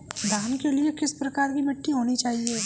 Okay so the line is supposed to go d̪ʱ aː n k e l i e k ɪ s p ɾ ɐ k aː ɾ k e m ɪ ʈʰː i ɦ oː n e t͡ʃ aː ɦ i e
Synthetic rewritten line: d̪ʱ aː n k e l i e k ɪ s p ɾ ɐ k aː ɾ k i m ɪ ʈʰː i ɦ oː n i t͡ʃ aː ɦ i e

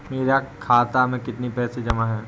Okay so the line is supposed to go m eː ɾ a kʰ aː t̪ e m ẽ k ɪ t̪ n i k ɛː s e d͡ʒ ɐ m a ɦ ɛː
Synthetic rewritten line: m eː ɾ a kʰ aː t̪ a m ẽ k ɪ t̪ n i p ɛː s e d͡ʒ ɐ m a ɦ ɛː

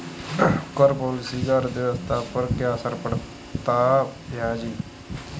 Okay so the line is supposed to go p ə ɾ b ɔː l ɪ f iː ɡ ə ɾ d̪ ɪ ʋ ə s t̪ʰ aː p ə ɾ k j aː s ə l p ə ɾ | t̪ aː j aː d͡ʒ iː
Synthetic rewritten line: k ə ɾ p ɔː l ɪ s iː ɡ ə ɾ d̪ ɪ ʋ ə s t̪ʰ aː p ə ɾ k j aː s ə ɾ p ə ɽ | t̪ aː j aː d͡ʒ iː

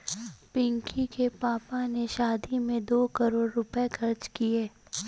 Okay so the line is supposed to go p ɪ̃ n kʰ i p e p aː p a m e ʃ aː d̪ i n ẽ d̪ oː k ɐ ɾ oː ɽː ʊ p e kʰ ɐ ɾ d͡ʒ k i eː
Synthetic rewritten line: p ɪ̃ ŋ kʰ i k e p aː p a n e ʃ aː d̪ i m ẽ d̪ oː k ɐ ɾ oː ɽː ʊ p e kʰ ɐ ɾ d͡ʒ k i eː

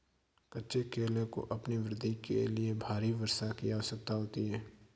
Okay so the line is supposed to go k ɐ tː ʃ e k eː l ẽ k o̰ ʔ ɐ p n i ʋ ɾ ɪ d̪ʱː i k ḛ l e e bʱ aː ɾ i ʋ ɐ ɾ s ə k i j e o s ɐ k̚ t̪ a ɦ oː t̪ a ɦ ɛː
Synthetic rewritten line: k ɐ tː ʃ e k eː l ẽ k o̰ ʔ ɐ p n i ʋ ɾ ɪ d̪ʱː i k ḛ l i e bʱ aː ɾ i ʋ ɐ ɾ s a k i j a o s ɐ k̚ t̪ a ɦ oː t̪ i ɦ ɛː

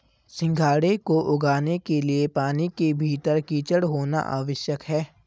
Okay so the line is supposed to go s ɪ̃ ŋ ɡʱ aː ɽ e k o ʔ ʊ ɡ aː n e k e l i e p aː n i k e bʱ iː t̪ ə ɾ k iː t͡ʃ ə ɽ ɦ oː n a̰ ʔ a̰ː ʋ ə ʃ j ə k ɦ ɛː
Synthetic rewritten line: s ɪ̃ ŋ ɡʱ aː ɽ e k o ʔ ʊ ɡ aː n e k e l i e p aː n i k e bʱ iː t̪ ə ɾ k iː t͡ʃ ə ɽ ɦ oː n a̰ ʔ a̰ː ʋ ə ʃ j ə k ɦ ɛː

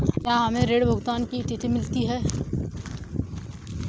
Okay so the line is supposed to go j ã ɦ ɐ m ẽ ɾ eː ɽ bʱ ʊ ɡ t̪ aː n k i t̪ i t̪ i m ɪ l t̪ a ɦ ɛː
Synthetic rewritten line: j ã ɦ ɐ m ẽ ɾ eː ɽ bʱ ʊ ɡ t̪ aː n k i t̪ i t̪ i m ɪ l t̪ i ɦ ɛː

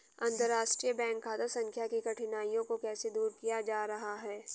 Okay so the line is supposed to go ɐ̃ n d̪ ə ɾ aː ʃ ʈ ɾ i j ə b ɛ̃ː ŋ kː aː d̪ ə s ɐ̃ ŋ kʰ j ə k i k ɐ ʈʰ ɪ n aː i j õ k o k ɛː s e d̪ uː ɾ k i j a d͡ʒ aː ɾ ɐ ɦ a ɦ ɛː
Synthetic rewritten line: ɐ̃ n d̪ ə ɾ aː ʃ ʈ ɾ i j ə b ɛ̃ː ŋ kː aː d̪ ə s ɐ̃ ŋ kʰ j a k i k ɐ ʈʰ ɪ n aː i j õ k o k ɛː s e d̪ uː ɾ k i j a d͡ʒ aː ɾ ɐ ɦ a ɦ ɛː

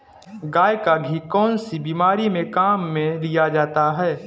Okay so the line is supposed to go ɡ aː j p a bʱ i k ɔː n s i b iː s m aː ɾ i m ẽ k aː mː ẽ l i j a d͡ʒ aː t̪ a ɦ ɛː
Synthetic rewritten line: ɡ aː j k a ɡʱ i k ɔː n s i b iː m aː ɾ i m ẽ k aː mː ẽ l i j a d͡ʒ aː t̪ a ɦ ɛː

